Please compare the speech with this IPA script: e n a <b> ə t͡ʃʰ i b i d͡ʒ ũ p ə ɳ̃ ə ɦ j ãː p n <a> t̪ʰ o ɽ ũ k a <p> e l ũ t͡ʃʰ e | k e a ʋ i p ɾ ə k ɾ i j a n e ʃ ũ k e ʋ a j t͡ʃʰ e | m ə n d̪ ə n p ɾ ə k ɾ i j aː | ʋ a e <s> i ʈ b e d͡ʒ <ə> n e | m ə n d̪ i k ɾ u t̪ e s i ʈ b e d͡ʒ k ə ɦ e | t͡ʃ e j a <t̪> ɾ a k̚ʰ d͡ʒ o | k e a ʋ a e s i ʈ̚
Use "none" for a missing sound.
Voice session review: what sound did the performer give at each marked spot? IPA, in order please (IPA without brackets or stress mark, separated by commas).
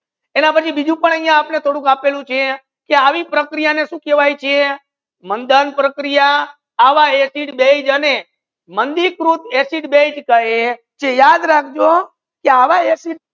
p, e, p, s, ə, d̪